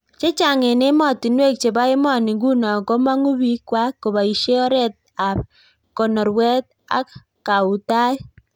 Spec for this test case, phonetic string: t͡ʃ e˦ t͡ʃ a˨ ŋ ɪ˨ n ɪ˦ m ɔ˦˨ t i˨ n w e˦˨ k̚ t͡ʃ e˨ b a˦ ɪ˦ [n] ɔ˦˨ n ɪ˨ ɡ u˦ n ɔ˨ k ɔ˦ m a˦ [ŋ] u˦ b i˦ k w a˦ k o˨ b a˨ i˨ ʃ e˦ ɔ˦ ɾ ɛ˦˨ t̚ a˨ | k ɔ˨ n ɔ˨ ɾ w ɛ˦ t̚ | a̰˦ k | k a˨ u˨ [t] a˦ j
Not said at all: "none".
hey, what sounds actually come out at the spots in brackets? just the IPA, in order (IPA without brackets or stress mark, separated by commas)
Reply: m, ŋ, t